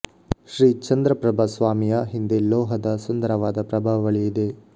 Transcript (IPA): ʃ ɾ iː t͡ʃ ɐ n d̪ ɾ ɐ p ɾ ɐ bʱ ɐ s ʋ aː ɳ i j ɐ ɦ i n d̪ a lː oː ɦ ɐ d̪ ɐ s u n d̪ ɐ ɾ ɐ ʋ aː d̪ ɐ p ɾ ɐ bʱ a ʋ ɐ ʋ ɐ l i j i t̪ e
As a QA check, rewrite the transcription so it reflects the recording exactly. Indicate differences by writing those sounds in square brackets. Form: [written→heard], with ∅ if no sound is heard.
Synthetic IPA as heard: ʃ ɾ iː t͡ʃ ɐ n d̪ ɾ ɐ p ɾ ɐ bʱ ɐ s ʋ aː [ɳ→m] i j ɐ ɦ i n d̪ [a→e] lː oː ɦ ɐ d̪ ɐ s u n d̪ ɐ ɾ ɐ ʋ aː d̪ ɐ p ɾ ɐ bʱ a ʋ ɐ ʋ ɐ [l→ɭ] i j i [t̪→d̪] e